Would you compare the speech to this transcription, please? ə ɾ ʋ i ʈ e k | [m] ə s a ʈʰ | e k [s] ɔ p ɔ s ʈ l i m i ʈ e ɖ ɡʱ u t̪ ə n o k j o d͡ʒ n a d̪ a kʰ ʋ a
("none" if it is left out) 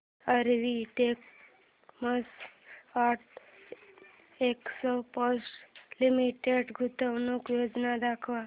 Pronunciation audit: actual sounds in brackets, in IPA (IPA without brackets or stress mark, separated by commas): m, s